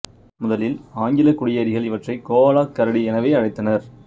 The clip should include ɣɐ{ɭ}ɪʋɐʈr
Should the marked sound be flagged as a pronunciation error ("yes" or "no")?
no